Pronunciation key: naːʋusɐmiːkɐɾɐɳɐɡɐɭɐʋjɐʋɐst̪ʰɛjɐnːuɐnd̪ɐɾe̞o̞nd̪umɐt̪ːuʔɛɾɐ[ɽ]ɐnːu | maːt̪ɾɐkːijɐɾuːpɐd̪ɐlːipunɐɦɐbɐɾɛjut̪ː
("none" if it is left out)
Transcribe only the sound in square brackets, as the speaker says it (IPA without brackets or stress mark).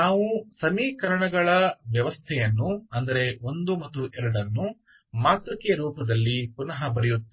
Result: ɽ